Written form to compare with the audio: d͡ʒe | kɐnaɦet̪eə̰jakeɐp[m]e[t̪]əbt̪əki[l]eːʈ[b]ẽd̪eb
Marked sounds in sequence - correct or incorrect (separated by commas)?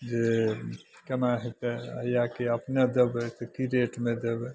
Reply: incorrect, incorrect, incorrect, incorrect